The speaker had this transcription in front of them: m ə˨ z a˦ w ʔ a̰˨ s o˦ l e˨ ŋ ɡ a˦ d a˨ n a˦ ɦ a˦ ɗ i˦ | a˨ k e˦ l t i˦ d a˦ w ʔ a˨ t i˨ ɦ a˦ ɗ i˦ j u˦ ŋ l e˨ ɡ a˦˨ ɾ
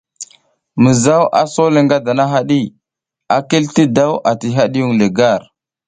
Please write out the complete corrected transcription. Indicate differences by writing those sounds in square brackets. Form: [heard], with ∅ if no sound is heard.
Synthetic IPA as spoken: m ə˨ z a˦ w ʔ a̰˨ s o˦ l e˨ ŋ ɡ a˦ d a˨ n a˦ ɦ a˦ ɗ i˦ | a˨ k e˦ l t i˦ d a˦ w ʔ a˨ t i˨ ɦ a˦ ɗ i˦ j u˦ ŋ l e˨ ɡ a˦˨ ɾ